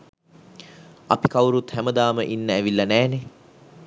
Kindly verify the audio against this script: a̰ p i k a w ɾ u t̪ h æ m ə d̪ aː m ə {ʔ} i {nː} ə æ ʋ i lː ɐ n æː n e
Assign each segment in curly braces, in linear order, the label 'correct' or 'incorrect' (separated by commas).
correct, correct